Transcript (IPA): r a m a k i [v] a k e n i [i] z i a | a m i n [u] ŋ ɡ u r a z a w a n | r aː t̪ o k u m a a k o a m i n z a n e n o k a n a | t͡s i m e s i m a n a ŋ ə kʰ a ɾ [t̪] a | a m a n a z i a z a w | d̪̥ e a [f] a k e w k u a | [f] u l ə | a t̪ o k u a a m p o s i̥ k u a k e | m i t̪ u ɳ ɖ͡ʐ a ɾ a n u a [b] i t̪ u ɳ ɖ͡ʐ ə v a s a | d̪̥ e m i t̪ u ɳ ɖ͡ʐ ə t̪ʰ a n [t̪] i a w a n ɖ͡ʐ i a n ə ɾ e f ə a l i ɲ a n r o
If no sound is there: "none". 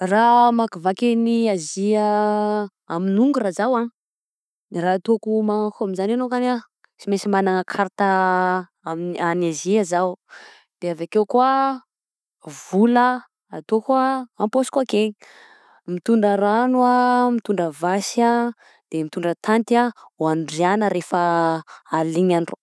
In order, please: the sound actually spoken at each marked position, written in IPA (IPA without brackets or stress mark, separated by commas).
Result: v, a, u, t̪, v, v, m, t̪